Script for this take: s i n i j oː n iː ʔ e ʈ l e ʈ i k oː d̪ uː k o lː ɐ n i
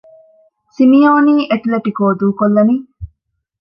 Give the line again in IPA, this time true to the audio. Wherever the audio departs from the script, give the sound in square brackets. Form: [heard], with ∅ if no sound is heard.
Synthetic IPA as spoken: s i [m] i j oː n iː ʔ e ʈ l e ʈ i k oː d̪ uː k o lː ɐ n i